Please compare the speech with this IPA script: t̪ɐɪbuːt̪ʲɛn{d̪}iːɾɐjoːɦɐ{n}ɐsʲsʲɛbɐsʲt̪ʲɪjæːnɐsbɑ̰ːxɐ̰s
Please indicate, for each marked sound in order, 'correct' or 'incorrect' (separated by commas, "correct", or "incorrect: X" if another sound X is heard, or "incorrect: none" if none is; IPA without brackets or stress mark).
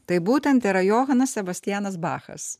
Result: incorrect: t̪, correct